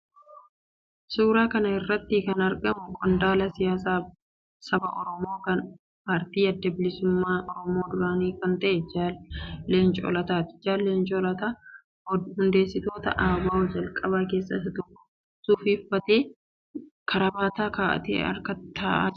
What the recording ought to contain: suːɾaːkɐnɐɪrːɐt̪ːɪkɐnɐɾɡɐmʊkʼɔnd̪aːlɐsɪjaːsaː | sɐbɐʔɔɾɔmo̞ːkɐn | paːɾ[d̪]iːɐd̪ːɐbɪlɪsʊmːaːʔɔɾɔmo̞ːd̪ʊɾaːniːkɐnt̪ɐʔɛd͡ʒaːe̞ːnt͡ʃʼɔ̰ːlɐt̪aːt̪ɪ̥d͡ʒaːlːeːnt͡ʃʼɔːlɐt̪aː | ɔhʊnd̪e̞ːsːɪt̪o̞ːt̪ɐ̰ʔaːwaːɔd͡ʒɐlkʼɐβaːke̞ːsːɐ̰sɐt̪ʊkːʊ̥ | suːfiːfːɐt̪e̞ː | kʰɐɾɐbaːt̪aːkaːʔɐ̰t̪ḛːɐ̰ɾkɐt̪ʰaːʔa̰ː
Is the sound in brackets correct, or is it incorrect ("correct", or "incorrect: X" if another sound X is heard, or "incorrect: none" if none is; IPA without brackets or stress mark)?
incorrect: t̪